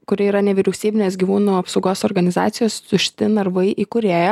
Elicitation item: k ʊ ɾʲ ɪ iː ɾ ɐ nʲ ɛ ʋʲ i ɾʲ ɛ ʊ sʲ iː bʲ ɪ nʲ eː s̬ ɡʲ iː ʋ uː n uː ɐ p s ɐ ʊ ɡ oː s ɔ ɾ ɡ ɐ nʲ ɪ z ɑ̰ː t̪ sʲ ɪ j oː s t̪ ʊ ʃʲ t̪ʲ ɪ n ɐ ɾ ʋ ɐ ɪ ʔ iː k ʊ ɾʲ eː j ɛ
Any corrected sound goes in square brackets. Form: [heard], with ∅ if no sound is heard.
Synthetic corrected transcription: k ʊ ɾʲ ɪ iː ɾ ɐ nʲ ɛ ʋʲ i ɾʲ ɛ ʊ sʲ iː bʲ ɪ nʲ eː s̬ ɡʲ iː ʋ uː n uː ɐ p s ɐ ʊ ɡ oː s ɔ ɾ ɡ ɐ nʲ ɪ z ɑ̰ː t̪ sʲ ɪ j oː s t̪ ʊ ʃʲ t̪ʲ ɪ n ɐ ɾ ʋ ɐ ɪ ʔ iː k ʊ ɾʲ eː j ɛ